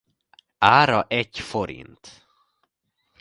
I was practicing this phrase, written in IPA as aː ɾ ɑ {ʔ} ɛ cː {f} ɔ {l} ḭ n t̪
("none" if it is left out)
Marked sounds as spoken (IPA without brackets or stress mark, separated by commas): ʔ, f, ɾ